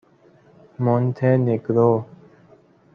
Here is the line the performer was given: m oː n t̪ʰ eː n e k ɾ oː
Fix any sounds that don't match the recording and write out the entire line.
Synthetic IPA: m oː n t̪ʰ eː n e k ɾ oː